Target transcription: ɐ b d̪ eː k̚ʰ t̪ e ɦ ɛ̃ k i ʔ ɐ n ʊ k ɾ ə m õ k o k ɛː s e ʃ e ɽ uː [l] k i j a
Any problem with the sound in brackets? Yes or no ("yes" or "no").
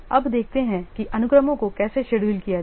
no